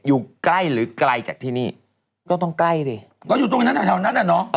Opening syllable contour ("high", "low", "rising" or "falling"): low